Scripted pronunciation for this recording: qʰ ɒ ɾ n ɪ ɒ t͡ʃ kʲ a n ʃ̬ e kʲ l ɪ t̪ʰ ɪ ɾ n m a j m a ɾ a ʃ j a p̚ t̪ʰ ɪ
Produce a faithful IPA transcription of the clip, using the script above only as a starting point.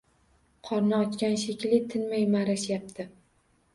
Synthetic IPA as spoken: qʰ ɒ ɾ n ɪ ɒ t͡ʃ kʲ a n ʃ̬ e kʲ l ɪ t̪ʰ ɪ n m a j m a ɾ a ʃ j a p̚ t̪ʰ ɪ